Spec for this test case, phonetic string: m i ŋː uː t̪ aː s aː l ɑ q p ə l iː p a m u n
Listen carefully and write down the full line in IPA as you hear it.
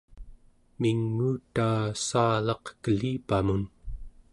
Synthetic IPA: m i ŋː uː t̪ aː s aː l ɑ q k ə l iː p a m u n